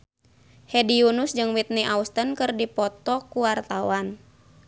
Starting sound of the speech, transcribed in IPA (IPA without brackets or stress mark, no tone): h